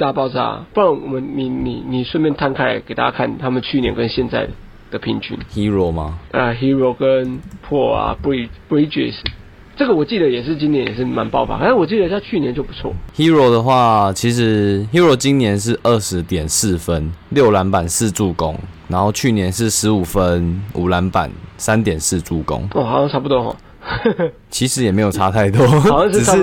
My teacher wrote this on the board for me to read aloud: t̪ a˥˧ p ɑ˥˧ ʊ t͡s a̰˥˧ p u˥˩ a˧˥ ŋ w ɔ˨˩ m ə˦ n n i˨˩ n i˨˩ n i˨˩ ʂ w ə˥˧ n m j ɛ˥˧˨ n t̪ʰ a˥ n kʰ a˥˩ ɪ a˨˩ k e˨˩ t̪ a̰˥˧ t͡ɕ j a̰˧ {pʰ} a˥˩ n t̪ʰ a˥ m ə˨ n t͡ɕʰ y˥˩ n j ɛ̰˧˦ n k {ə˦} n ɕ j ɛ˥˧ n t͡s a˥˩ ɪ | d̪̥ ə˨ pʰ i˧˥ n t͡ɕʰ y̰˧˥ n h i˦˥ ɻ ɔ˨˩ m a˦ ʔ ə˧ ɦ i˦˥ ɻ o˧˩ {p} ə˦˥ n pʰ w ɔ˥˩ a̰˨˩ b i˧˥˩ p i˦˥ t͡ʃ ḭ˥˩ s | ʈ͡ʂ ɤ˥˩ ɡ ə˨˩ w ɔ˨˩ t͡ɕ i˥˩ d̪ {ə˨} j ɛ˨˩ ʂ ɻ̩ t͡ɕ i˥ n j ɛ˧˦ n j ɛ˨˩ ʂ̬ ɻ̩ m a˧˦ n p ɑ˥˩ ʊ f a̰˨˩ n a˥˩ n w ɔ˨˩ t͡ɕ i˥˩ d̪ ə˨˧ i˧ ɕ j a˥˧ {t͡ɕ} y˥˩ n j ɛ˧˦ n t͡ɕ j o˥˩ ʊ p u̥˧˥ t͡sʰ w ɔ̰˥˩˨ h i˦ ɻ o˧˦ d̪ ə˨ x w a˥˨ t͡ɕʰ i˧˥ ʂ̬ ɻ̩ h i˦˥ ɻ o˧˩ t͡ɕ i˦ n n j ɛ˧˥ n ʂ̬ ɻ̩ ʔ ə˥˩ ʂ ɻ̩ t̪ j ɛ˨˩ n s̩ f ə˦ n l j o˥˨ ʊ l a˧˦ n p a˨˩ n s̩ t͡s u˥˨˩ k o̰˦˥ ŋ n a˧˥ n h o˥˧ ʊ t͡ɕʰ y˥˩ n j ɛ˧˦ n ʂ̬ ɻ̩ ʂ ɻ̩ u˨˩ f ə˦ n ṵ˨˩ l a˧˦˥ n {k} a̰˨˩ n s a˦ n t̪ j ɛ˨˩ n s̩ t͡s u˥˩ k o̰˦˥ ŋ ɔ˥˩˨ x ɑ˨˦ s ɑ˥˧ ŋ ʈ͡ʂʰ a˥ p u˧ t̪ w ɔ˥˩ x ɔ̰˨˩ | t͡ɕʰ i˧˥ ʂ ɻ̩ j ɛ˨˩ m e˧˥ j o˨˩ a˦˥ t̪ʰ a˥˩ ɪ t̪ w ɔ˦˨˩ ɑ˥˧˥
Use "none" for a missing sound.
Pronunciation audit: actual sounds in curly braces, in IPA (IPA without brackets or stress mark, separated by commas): kʰ, ə˦, k, ə˨, t͡ɕʰ, p